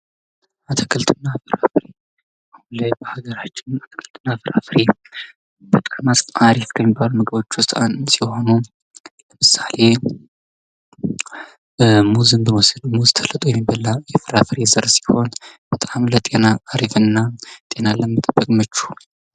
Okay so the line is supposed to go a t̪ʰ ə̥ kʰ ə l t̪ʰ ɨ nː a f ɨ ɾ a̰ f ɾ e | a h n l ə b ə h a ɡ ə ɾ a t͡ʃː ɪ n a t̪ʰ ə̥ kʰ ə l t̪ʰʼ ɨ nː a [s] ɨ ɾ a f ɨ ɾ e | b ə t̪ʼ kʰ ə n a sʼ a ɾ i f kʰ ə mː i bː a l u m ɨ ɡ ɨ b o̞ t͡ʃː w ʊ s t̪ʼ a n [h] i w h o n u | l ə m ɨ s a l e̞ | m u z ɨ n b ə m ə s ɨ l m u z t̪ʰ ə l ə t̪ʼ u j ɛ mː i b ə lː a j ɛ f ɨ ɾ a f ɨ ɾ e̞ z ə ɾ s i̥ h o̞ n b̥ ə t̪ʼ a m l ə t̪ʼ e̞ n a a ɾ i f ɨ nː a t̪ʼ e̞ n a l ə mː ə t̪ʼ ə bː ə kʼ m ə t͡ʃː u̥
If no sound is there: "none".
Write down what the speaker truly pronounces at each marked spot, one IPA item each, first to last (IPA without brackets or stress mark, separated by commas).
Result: f, s